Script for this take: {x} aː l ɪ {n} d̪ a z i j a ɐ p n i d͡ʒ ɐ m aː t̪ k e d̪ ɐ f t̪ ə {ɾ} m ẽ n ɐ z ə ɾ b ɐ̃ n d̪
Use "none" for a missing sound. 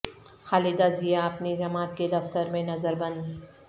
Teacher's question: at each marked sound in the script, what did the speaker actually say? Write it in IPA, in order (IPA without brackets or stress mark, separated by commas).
x, none, ɾ